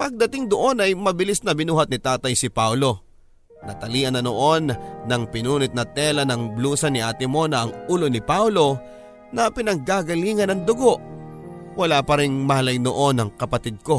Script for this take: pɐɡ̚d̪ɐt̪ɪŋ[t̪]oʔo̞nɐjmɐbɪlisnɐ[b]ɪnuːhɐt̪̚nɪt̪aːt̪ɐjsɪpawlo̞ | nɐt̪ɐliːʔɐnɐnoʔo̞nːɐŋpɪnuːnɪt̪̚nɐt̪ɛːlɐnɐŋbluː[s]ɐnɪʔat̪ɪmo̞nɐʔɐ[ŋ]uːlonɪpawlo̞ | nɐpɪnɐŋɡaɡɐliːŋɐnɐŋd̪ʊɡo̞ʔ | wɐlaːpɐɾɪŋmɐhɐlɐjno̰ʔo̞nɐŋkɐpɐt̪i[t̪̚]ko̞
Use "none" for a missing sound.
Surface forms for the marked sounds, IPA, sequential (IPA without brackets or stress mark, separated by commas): d̪, b, s, ŋ, d̪̚